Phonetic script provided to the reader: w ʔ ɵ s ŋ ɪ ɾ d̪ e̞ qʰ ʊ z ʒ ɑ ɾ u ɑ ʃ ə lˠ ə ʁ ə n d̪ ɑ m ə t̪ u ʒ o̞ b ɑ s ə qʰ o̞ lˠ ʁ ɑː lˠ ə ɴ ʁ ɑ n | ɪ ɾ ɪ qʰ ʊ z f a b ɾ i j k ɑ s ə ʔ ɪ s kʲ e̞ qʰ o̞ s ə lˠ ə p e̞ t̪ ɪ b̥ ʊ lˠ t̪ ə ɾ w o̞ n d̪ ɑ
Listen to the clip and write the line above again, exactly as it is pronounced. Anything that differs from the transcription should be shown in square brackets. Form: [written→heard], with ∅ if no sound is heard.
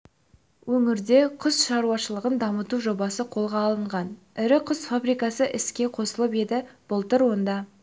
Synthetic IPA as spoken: w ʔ ɵ [s→∅] ŋ ɪ ɾ d̪ e̞ qʰ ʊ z [ʒ→ʃ] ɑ ɾ u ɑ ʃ ə lˠ ə ʁ ə n d̪ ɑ m ə t̪ u ʒ o̞ b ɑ s ə qʰ o̞ lˠ ʁ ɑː lˠ ə ɴ ʁ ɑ n | ɪ ɾ ɪ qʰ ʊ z f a b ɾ i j k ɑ s ə ʔ ɪ s kʲ e̞ qʰ o̞ s ə lˠ ə p e̞ [t̪→d̪] ɪ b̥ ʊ lˠ t̪ ə ɾ w o̞ n d̪ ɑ